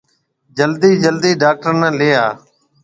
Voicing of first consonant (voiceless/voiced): voiced